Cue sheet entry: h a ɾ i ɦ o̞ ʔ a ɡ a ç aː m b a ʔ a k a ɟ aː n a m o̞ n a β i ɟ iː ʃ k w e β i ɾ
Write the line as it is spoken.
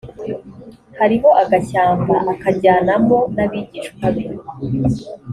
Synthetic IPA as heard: h a ɾ i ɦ o̞ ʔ a ɡ a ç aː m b a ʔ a k a ɟ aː n a m o̞ n a β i ɟ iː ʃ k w a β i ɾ